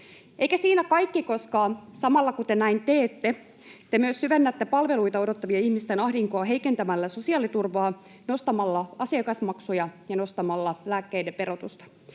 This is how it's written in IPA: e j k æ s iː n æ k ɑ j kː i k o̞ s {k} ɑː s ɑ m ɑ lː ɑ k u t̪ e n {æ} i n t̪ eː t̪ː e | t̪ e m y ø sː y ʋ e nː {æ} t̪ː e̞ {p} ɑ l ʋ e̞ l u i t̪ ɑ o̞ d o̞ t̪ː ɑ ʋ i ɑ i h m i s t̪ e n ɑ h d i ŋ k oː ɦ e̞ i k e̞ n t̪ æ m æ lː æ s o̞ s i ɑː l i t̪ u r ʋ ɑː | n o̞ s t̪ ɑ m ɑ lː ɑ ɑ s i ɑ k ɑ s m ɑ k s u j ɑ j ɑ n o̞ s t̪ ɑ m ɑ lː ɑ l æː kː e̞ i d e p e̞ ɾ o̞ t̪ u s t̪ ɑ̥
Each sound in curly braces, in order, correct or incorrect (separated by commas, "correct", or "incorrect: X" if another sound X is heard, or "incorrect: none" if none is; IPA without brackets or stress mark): correct, correct, correct, correct